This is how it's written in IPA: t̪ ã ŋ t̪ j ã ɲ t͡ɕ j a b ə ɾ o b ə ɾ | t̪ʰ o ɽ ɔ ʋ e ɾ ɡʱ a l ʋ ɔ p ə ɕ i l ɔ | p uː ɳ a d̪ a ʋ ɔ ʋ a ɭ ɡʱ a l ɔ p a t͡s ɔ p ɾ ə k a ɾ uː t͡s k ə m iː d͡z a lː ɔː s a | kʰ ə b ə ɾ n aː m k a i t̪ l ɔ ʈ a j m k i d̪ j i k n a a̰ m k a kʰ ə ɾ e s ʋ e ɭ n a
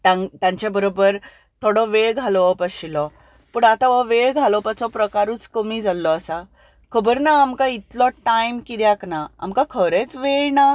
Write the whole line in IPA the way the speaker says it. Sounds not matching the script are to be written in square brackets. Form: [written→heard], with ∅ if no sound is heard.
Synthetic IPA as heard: t̪ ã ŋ t̪ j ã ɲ t͡ɕ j a b ə ɾ o b ə ɾ | t̪ʰ o ɽ ɔ ʋ e [ɾ→ɭ] ɡʱ a l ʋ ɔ p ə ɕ i l ɔ | p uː ɳ a [d̪→t̪] a ʋ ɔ ʋ [a→e] ɭ ɡʱ a l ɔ p a t͡s ɔ p ɾ ə k a ɾ uː t͡s k ə m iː d͡z a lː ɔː s a | kʰ ə b ə ɾ n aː m k a i t̪ l ɔ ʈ a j m k i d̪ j [i→a] k n a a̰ m k a kʰ ə ɾ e [s→t͡s] ʋ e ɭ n a